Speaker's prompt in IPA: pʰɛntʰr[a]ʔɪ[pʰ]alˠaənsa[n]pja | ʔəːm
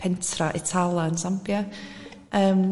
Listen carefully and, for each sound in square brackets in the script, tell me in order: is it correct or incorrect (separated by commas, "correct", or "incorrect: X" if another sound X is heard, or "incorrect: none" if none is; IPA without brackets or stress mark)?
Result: correct, incorrect: tʰ, incorrect: m